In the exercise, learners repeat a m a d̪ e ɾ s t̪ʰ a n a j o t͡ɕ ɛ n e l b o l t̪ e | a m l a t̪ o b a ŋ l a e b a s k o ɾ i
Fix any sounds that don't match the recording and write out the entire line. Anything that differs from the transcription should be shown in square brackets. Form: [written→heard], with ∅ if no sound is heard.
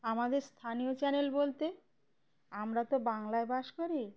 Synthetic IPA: a m a d̪ e ɾ s t̪ʰ a n [a→i] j o t͡ɕ ɛ n e l b o l t̪ e | a m [l→ɾ] a t̪ o b a ŋ l a e b a [s→ʃ] k o ɾ i